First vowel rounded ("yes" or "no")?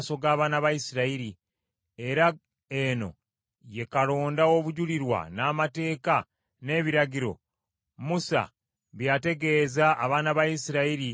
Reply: yes